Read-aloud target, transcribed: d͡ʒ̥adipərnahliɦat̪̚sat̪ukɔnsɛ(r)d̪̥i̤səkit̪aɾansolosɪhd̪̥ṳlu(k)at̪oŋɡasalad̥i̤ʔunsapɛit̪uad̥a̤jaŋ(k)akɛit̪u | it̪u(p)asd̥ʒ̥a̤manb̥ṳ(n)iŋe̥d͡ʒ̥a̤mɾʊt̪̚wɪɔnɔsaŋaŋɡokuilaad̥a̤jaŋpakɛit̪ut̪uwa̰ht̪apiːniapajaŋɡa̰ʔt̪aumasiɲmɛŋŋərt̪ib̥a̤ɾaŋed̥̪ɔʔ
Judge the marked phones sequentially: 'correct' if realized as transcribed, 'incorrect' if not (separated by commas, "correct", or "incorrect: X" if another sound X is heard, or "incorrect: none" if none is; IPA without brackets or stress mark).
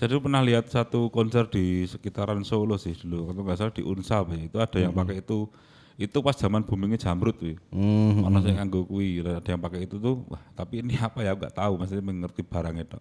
correct, correct, incorrect: p, correct, incorrect: m